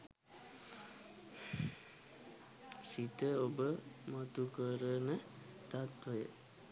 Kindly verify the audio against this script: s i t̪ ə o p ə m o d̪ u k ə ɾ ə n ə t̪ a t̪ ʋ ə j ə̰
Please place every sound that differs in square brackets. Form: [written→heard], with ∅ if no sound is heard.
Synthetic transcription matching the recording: s i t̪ ə o [p→b] ə m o [d̪→t̪] u k ə ɾ ə n ə t̪ a t̪ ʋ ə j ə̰